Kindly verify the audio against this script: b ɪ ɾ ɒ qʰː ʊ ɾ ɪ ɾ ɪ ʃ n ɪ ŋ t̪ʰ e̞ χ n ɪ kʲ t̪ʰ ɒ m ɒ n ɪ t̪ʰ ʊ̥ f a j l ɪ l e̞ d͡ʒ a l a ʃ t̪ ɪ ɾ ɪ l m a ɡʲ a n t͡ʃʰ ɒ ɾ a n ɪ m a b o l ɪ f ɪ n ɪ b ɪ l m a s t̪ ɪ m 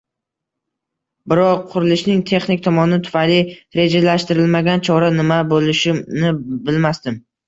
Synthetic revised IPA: b ɪ ɾ ɒ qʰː ʊ ɾ ɪ l ɪ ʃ n ɪ ŋ t̪ʰ e̞ χ n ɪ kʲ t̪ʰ ɒ m ɒ n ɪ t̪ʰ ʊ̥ f a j l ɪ ɾ e̞ d͡ʒ a l a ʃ t̪ ɪ ɾ ɪ l m a ɡʲ a n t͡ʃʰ ɒ ɾ a n ɪ m a b o l ɪ ʃ ɪ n ɪ b ɪ l m a s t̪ ɪ m